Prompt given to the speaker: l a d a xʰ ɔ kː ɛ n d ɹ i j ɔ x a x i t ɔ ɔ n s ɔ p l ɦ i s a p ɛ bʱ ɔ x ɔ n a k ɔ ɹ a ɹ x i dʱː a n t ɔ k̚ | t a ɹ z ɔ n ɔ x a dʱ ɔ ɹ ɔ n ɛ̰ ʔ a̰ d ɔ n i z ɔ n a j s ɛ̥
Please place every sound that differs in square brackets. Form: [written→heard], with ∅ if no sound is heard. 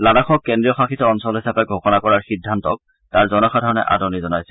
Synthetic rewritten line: l a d a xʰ ɔ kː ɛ n d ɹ i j ɔ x a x i t ɔ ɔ n s ɔ [p→∅] l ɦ i s a p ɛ [bʱ→ɡʱ] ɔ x ɔ n a k ɔ ɹ a ɹ x i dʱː a n t ɔ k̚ | t a ɹ z ɔ n ɔ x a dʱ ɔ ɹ ɔ n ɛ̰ ʔ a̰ d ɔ n i z ɔ n a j s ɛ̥